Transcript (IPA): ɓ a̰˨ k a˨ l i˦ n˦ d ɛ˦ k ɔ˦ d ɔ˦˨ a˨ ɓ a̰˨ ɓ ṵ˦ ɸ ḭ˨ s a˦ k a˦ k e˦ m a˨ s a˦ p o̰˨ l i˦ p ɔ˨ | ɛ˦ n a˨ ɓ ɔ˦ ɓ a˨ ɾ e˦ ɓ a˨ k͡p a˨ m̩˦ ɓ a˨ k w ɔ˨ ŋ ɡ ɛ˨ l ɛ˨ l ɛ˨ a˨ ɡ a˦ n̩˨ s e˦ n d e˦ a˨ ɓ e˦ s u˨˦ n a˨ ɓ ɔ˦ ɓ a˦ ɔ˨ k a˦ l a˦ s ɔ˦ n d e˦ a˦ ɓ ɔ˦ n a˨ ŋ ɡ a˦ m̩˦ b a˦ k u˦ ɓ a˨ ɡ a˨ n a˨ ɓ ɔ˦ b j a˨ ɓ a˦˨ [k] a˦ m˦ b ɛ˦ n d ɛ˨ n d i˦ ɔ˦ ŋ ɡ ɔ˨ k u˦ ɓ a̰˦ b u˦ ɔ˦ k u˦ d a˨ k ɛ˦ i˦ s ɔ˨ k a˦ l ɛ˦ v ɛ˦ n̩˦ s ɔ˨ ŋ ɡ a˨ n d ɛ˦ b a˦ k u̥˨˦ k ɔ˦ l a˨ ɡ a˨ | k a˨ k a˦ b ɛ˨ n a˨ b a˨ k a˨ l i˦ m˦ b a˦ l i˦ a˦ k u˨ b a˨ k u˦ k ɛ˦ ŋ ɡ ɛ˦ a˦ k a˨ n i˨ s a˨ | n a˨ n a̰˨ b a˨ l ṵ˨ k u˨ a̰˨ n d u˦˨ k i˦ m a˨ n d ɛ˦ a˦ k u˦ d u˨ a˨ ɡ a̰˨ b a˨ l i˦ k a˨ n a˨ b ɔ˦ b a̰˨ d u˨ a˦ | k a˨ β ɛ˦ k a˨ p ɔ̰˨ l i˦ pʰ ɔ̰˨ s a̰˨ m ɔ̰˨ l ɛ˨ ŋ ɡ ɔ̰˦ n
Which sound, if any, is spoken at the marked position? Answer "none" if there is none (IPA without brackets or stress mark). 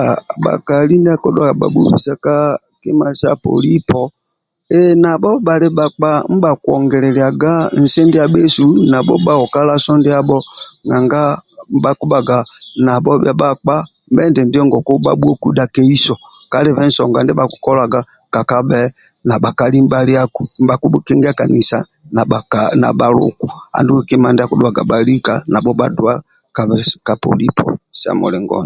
k͡p